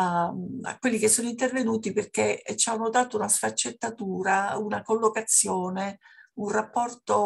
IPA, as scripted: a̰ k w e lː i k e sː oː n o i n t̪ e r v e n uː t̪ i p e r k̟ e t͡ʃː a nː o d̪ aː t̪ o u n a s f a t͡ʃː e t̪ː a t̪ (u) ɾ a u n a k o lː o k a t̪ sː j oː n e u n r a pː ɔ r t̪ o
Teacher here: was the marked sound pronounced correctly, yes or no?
no